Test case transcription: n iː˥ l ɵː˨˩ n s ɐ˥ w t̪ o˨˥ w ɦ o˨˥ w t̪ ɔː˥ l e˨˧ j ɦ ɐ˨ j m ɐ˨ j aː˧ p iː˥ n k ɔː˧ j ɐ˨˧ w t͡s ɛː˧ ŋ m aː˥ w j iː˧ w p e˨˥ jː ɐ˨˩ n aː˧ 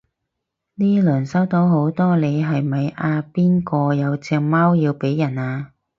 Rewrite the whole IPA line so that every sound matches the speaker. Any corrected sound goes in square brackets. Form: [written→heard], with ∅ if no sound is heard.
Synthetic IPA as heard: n iː˥ l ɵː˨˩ n s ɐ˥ w t̪ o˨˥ w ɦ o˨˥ w t̪ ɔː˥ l e˨˧ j ɦ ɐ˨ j m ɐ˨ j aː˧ p iː˥ n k ɔː˧ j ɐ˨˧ w t͡s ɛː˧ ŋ m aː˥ w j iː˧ w p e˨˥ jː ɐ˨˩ n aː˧